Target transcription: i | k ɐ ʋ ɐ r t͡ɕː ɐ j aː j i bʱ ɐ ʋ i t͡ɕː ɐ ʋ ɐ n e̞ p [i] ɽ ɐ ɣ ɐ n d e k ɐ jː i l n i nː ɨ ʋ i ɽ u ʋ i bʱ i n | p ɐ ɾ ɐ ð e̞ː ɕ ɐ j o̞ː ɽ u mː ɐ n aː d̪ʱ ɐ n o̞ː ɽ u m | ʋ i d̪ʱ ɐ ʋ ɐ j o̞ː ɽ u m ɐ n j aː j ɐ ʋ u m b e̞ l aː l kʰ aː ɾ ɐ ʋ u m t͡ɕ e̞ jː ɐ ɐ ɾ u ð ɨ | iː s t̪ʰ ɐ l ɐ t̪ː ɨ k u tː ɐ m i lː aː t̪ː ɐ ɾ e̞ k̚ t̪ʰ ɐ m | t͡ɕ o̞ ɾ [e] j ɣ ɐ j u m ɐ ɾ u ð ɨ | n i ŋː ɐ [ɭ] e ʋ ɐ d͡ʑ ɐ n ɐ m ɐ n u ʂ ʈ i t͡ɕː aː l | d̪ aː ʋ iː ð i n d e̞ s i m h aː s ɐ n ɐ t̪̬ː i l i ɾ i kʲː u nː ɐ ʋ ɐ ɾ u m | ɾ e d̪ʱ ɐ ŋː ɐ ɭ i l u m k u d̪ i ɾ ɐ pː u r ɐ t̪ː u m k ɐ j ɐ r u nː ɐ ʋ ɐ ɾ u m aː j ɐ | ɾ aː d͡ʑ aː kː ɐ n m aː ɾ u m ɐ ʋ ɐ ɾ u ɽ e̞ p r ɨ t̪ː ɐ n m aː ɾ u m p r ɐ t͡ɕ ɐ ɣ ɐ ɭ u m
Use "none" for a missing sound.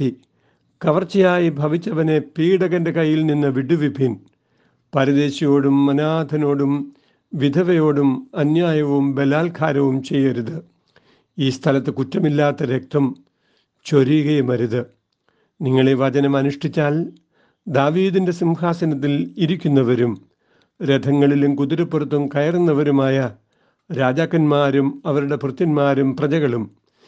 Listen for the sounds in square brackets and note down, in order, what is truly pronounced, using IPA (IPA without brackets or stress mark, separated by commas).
iː, i, ɭ